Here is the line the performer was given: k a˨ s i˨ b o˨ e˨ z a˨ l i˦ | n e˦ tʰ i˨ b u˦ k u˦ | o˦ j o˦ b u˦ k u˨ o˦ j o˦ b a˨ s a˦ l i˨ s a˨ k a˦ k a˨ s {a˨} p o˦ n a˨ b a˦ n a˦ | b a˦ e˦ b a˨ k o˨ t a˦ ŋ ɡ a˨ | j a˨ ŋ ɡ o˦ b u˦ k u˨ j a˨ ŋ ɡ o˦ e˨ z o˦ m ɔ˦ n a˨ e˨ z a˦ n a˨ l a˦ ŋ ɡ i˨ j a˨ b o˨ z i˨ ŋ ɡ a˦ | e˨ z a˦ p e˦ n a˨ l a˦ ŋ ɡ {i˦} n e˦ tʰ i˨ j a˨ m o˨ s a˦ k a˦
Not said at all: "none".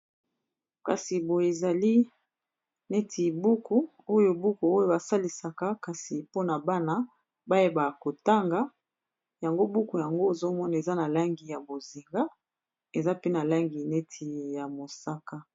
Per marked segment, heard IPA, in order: i˨, i˨

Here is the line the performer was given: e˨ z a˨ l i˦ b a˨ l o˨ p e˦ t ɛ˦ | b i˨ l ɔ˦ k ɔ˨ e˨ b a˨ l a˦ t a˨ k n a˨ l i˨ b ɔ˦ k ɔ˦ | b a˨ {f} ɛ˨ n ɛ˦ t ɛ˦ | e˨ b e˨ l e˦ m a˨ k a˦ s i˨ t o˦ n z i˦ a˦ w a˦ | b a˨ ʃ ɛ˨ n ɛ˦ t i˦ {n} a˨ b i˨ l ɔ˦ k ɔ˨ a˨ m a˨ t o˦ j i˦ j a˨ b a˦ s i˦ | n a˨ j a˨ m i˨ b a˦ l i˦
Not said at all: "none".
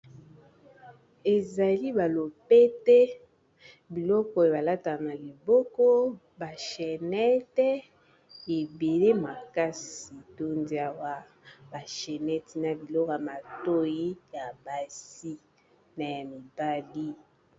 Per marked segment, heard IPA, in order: ʃ, n

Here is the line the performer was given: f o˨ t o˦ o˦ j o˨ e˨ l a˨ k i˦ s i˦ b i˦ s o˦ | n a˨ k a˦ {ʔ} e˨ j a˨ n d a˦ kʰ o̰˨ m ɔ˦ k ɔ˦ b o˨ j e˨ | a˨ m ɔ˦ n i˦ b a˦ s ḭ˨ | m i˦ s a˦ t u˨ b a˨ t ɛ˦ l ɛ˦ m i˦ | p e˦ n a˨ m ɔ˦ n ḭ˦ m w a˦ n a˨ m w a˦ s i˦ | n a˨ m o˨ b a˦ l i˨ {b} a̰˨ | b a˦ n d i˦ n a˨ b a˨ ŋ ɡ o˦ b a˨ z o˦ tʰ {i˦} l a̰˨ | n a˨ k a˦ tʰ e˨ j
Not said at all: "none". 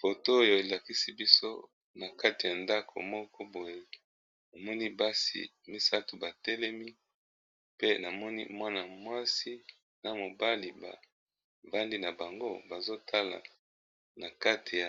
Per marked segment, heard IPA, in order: t, b, a˦

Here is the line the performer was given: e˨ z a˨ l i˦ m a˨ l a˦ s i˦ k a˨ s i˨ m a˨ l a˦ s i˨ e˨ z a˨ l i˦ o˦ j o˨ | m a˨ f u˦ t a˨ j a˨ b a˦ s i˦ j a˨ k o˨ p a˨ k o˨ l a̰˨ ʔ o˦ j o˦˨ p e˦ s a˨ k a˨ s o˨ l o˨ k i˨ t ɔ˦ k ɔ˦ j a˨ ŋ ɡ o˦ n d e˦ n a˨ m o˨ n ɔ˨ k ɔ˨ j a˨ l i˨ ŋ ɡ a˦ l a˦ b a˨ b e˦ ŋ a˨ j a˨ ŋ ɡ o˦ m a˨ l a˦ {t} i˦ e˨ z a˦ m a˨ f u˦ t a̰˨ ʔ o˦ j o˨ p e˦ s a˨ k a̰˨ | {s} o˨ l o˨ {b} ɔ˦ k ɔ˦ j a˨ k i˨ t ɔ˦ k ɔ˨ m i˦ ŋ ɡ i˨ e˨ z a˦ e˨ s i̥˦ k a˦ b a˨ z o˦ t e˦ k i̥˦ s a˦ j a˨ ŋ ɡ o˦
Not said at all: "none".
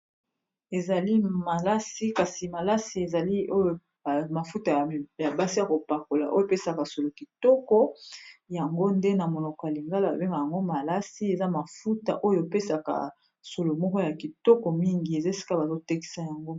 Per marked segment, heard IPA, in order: s, s, m

